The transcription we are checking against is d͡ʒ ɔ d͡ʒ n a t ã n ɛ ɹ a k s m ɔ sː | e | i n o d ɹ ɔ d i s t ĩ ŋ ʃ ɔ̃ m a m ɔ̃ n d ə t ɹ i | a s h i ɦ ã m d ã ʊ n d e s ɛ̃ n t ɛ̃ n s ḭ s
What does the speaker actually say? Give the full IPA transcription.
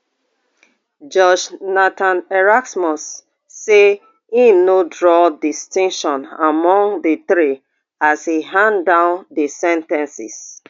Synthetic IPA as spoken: d͡ʒ ɔ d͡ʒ n a t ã n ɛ ɹ a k s m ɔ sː | e | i n o d ɹ ɔ d i s t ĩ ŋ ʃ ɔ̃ n a m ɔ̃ ŋ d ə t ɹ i | a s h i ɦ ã n d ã ʊ n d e s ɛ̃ n t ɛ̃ n s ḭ s

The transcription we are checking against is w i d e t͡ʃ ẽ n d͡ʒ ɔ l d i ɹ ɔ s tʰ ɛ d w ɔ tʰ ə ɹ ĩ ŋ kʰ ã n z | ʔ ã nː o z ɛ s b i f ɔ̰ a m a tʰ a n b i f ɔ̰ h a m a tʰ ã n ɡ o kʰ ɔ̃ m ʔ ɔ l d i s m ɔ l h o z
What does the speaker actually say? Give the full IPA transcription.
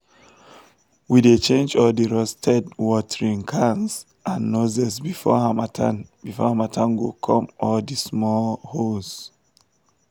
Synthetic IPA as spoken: w i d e t͡ʃ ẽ n d͡ʒ ɔ l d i ɹ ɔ s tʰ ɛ d w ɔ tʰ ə ɹ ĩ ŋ kʰ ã n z | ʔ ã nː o z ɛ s b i f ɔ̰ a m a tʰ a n b i f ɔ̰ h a m a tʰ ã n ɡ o kʰ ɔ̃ m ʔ ɔ l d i s m ɔ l h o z

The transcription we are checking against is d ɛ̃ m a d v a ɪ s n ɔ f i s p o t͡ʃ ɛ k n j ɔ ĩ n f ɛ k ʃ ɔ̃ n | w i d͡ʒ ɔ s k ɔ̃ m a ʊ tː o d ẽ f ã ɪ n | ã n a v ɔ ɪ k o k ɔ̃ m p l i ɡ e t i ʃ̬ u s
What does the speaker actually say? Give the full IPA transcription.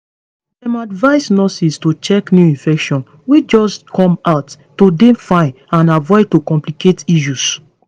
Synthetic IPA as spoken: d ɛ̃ m a d v a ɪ s n ɔ s i s t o t͡ʃ ɛ k n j u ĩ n f ɛ k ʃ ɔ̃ n | w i d͡ʒ ɔ s k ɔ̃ m a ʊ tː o d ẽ f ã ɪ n | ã n a v ɔ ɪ t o k ɔ̃ m p l i k e t i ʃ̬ u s

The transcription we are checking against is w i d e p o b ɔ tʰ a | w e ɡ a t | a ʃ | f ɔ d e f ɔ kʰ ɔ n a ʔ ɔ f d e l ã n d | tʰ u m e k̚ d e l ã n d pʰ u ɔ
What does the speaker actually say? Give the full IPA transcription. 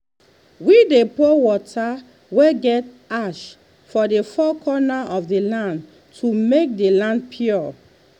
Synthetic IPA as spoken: w i d e p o w ɔ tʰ a | w e ɡ ɛ t | a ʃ | f ɔ d e f ɔ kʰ ɔ n a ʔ ɔ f d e l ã n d | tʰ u m e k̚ d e l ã n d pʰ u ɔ

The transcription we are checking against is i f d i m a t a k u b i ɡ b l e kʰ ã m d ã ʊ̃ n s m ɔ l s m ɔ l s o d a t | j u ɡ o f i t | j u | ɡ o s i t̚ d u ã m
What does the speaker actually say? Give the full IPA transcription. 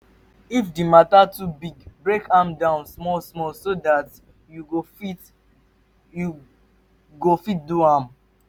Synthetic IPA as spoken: i f d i m a t a t u b i ɡ b ɹ e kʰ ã m d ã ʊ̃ n s m ɔ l s m ɔ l s o d a t | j u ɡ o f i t | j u | ɡ o f i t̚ d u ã m

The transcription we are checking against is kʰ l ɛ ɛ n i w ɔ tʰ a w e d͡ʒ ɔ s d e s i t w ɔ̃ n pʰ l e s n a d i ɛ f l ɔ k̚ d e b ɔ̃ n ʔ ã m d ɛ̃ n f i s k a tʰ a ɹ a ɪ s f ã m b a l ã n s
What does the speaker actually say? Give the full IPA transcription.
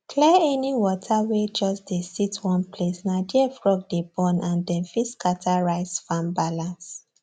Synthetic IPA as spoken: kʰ l ɛ ɛ n i w ɔ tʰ a w e d͡ʒ ɔ s d e s i t w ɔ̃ n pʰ l e s n a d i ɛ f ɹ ɔ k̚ d e b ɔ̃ n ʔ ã n d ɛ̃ n f i s k a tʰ a ɹ a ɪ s f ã m b a l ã n s

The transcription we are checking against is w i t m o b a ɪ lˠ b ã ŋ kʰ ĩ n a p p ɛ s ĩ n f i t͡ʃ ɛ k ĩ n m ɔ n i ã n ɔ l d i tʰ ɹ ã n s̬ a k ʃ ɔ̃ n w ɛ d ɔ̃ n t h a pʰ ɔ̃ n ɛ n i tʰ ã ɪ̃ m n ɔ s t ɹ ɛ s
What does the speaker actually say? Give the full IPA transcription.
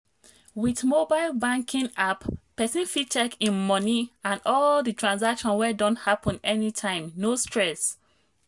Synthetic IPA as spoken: w i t m o b a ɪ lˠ b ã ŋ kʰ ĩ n a p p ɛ s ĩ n f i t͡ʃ ɛ k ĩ n m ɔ n i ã n ɔ l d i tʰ ɹ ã n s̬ a k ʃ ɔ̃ n w ɛ d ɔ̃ n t h a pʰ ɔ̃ n ɛ n i tʰ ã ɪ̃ m n o s t ɹ ɛ s

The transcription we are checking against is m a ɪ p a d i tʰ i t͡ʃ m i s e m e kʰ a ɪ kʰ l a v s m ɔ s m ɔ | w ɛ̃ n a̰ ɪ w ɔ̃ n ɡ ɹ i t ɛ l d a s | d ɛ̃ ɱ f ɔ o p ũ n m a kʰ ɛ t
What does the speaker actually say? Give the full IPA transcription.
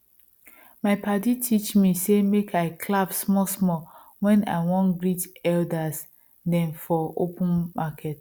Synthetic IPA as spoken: m a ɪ p a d i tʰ i t͡ʃ m i s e m e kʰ a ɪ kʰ l a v s m ɔ s m ɔ | w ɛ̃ n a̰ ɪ w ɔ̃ n ɡ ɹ i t ɛ l d a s | d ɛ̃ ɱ f ɔ o p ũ n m a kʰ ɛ t

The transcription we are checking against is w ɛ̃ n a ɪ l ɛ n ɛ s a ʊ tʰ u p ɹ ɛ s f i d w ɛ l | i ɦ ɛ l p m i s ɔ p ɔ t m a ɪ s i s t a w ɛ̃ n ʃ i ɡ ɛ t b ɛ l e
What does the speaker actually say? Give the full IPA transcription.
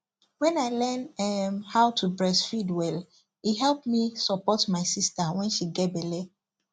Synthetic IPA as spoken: w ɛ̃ n a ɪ l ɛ n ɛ h a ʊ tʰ u b ɹ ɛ s f i d w ɛ l | i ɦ ɛ l p m i s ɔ p ɔ t m a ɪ s i s t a w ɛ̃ n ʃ i ɡ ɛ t b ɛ l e

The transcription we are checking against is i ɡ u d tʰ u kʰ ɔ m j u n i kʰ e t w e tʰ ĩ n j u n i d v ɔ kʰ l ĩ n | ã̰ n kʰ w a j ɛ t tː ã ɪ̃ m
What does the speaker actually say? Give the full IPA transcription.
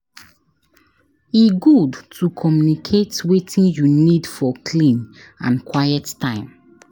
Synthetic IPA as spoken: i ɡ u d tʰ u kʰ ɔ m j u n i kʰ e t w e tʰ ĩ n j u n i d f ɔ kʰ l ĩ n | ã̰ n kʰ w a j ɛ t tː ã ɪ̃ m

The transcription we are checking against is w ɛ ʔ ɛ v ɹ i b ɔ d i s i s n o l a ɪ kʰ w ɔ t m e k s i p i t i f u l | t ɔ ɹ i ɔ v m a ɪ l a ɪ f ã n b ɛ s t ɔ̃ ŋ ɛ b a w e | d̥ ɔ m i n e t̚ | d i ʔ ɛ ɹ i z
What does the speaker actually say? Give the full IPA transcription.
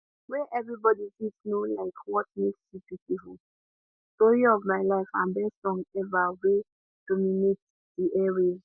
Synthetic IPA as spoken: w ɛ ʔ ɛ v ɹ i b ɔ d i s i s n o l a ɪ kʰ w ɔ t m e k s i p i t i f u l | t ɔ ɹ i ɔ v m a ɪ l a ɪ f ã n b ɛ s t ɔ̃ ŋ ɛ v a w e | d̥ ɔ m i n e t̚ | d i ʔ ɛ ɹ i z

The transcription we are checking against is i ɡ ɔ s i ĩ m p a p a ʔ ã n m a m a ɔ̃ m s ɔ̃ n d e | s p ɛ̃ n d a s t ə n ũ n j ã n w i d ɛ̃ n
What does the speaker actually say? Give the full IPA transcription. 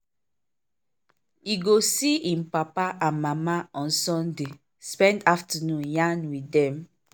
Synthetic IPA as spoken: i ɡ o s i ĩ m p a p a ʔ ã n m a m a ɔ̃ n s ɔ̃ n d e | s p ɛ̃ n d a f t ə n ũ n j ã n w i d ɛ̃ m

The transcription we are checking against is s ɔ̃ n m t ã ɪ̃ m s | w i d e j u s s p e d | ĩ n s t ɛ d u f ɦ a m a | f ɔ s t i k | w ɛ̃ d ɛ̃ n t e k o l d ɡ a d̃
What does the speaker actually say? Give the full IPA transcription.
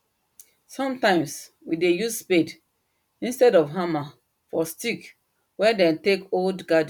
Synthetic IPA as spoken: s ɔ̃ m t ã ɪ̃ m s | w i d e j u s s p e d | ĩ n s t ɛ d ɔ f ɦ a m a | f ɔ s t i k | w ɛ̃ d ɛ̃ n t e k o l d ɡ a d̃

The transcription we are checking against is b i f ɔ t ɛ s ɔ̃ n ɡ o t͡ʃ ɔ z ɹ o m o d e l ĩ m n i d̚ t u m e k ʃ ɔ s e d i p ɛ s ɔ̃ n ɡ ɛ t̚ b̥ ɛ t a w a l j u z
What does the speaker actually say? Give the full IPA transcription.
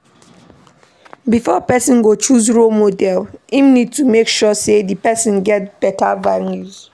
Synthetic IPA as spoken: b i f ɔ p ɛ s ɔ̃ n ɡ o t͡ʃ u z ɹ o m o d ɛ l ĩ m n i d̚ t u m e k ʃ ɔ s e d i p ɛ s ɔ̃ n ɡ ɛ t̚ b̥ ɛ t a v a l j u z

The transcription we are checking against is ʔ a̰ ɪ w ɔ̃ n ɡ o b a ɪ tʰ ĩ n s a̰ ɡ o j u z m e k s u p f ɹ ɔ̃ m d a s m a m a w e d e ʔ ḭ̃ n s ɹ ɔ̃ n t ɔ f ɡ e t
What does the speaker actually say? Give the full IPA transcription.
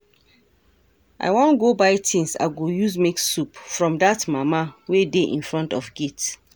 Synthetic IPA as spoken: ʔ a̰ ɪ w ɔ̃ n ɡ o b a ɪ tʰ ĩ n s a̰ ɡ o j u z m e k s u p f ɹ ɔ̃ m d a t m a m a w e d e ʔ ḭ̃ n f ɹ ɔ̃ n t ɔ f ɡ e t

